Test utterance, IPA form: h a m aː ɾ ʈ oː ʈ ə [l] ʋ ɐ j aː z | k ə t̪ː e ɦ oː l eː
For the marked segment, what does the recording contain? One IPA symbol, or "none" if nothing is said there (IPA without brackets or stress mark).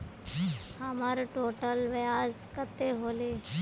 l